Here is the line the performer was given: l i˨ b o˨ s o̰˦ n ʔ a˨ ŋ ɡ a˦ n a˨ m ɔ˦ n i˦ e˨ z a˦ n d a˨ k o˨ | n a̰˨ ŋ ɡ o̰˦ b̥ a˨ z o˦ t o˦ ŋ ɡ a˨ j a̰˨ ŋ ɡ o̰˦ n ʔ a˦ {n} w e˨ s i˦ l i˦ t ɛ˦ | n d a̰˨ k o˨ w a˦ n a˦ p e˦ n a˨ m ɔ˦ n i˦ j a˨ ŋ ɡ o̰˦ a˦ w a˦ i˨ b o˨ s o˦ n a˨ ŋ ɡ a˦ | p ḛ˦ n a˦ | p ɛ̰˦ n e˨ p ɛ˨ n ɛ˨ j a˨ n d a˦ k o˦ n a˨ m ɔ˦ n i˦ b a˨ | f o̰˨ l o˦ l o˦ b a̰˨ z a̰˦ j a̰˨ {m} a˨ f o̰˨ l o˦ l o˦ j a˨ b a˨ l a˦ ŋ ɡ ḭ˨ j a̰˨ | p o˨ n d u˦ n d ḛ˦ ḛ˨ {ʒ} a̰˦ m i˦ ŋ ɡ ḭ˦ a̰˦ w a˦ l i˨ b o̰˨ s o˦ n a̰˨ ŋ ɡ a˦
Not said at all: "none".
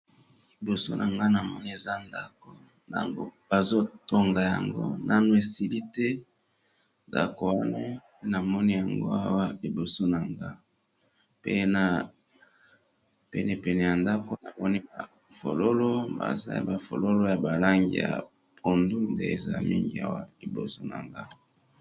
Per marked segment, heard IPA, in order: n, b, z

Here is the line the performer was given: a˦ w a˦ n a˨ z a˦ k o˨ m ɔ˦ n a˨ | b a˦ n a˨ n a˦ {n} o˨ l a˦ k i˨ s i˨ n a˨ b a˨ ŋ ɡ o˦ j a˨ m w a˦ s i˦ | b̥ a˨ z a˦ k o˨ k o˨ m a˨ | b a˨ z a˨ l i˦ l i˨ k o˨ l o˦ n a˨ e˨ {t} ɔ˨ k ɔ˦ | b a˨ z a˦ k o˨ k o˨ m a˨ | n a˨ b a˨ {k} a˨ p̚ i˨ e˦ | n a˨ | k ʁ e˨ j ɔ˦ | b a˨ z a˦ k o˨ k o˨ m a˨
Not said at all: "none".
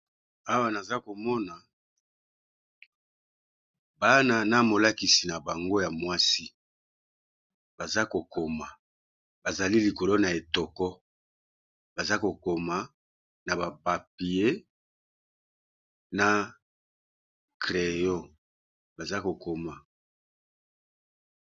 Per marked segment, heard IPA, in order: m, t, p

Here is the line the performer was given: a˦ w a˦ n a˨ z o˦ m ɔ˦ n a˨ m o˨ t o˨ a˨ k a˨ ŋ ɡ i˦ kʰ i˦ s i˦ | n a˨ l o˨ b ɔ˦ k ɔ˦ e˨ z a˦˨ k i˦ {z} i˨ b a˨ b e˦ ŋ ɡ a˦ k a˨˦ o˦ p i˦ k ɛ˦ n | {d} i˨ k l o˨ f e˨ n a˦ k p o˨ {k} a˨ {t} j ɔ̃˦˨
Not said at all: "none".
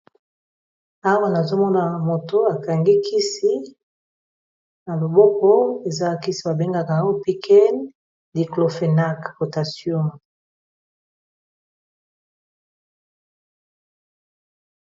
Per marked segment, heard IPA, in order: s, d, t, s

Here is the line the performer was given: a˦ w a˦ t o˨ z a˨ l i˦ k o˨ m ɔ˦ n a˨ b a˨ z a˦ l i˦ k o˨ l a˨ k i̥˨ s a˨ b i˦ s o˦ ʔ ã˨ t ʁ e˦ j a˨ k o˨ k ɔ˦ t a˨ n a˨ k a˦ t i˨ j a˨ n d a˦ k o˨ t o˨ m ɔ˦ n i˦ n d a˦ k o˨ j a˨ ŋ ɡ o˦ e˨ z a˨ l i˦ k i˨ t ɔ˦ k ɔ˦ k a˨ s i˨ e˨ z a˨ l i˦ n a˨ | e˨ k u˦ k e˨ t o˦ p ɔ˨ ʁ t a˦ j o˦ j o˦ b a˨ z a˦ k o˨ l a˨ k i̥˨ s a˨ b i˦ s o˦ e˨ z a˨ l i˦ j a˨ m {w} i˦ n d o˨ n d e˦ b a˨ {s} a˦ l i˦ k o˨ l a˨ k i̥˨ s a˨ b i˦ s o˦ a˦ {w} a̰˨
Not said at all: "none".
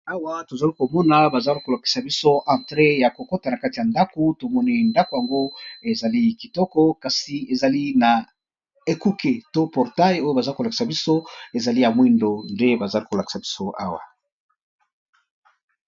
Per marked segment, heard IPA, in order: w, z, w

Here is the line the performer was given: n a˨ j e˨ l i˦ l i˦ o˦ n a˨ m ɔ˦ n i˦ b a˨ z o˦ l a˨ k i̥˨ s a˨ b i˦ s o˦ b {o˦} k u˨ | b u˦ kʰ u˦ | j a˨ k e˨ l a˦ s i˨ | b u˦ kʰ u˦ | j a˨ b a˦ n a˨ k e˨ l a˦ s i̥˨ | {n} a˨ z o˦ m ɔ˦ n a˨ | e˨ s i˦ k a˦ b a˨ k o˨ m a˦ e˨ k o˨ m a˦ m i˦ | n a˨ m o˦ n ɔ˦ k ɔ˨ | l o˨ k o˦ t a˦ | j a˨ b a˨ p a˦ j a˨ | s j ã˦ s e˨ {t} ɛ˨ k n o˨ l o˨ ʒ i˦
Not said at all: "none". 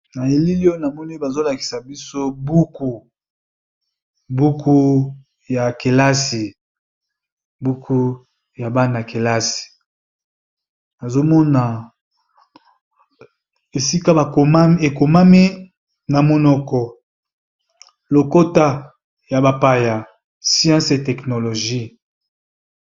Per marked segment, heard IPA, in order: u˦, n, t

